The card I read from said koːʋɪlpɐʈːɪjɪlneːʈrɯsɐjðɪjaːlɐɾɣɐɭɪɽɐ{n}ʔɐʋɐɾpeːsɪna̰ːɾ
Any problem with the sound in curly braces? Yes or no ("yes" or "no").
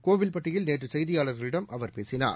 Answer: yes